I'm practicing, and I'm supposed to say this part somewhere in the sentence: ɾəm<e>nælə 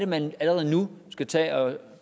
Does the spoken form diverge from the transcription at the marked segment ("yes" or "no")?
yes